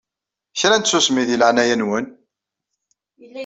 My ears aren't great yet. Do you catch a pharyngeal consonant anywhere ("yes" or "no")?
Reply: yes